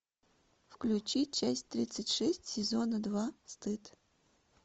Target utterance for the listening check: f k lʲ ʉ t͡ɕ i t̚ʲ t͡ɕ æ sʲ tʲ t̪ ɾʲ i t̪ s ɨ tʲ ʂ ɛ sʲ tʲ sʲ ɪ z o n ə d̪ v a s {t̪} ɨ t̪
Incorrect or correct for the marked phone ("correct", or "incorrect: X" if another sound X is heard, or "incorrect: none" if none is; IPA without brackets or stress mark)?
correct